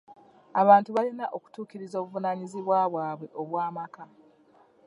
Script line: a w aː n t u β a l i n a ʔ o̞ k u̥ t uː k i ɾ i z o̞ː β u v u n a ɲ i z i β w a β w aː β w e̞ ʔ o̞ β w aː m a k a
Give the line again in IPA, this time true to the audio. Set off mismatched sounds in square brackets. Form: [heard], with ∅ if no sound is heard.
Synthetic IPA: a [β] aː n t u β a l i n a ʔ o̞ k u̥ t uː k i ɾ i z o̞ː β u v u n a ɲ i z i β w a β w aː β w e̞ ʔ o̞ β w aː m a k a